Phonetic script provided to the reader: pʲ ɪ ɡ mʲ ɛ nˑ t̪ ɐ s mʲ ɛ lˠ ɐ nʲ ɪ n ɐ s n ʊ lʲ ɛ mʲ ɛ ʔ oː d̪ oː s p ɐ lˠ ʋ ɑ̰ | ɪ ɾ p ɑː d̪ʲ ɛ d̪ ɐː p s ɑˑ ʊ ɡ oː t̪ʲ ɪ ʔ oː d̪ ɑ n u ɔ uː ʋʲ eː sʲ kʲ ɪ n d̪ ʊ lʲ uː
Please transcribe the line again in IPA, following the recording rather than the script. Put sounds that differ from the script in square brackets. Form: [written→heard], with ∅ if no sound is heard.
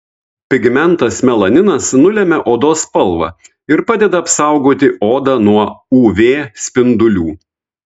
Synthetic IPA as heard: pʲ ɪ ɡ mʲ ɛ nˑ t̪ ɐ s mʲ ɛ lˠ ɐ nʲ ɪ n ɐ s n ʊ lʲ ɛ mʲ ɛ ʔ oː d̪ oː s p ɐ lˠ ʋ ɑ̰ | ɪ ɾ p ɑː d̪ʲ ɛ d̪ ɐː p s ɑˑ ʊ ɡ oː t̪ʲ ɪ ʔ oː d̪ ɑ n u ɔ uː ʋʲ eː sʲ [kʲ→pʲ] ɪ n d̪ ʊ lʲ uː